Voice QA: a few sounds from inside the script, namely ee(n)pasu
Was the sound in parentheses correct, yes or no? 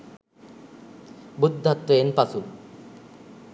yes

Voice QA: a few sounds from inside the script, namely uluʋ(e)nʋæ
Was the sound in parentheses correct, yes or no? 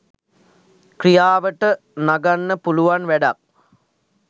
no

